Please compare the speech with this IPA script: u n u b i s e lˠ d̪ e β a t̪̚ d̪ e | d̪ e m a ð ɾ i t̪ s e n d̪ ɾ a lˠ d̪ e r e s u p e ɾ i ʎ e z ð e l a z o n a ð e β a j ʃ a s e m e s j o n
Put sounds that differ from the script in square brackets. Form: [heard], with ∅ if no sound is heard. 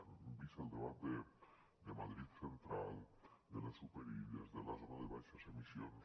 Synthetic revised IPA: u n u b i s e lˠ d̪ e β a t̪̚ d̪ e | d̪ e m a ð ɾ i t̪ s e n [t̪] ɾ a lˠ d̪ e [l] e s u p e ɾ i ʎ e z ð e l a z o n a ð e β a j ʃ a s e m [i] s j o n